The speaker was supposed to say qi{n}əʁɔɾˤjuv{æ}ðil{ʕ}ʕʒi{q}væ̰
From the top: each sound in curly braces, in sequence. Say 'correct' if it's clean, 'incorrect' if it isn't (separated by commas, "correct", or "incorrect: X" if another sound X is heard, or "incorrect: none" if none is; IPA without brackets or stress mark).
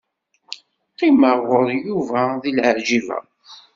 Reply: incorrect: m, correct, correct, incorrect: none